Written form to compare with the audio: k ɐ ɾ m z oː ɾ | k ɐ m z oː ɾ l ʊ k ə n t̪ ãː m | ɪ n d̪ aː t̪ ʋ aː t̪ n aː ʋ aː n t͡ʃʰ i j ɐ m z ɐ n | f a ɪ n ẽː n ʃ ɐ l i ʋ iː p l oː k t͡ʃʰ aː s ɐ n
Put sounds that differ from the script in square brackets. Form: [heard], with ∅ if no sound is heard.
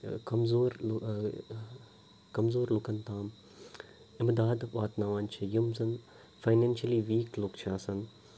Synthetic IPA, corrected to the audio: k ɐ [∅] m z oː ɾ | k ɐ m z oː ɾ l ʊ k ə n t̪ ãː m | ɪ [m] d̪ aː [d̪] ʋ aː t̪ n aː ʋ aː n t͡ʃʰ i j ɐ m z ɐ n | f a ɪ n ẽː n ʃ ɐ l i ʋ iː [k] l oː k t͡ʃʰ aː s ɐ n